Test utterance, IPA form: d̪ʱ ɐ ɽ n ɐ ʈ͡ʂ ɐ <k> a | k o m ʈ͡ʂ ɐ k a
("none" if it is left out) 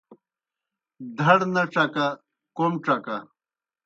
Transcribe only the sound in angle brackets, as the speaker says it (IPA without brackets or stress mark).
k